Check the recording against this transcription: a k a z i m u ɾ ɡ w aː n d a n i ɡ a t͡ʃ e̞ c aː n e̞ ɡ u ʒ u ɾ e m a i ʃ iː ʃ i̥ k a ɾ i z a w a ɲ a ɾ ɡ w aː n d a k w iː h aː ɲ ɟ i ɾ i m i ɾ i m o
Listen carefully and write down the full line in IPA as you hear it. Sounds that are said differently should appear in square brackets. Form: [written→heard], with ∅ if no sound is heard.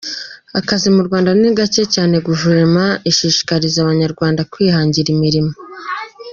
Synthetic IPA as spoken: a k a z i m u ɾ ɡ w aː n d a n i ɡ a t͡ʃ e̞ c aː n e̞ ɡ u ʒ u ɾ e m a i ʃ iː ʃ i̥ k a ɾ i z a [w→β] a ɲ a ɾ ɡ w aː n d a k w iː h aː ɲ ɟ i ɾ i m i ɾ i m o